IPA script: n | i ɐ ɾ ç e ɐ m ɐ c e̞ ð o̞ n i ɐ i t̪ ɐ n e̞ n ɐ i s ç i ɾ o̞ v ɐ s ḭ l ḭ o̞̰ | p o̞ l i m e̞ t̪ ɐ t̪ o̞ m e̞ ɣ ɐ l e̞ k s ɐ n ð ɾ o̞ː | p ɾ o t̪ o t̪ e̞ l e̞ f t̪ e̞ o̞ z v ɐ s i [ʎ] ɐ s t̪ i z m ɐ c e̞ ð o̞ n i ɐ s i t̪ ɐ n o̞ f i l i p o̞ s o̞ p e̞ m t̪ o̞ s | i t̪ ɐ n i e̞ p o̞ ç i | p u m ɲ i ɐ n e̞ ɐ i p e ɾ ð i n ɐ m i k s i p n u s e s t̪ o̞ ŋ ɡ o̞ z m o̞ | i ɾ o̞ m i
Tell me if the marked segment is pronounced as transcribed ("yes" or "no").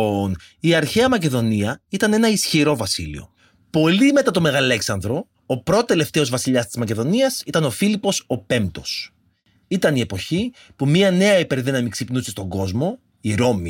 yes